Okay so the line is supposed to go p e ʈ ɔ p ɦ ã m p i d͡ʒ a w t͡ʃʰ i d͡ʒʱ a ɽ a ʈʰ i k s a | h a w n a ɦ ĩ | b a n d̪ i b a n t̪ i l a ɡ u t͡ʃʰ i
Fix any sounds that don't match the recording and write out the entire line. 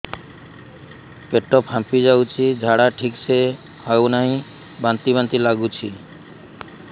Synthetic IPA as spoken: p e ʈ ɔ p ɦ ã m p i d͡ʒ a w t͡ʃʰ i d͡ʒʱ a ɽ a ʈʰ i k s e | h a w n a ɦ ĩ | b a n t̪ i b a n t̪ i l a ɡ u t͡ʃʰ i